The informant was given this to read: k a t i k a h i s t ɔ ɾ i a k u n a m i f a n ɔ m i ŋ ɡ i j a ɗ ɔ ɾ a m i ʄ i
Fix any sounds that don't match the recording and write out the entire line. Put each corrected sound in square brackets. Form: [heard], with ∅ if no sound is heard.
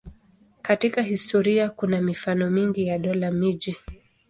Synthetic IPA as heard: k a t i k a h i s t ɔ ɾ i a k u n a m i f a n ɔ m i ŋ ɡ i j a ɗ ɔ [l] a m i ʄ i